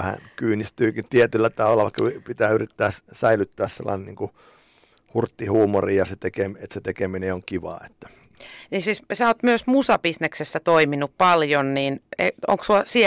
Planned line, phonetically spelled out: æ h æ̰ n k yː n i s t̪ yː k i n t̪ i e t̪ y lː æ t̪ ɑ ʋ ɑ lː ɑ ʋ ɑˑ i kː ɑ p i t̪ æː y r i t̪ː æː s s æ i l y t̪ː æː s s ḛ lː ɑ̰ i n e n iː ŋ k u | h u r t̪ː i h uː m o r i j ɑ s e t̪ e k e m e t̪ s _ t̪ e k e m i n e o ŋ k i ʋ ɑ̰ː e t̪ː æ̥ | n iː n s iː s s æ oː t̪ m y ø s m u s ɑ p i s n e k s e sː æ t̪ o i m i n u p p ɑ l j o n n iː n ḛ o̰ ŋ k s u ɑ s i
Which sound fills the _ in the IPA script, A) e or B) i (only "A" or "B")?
A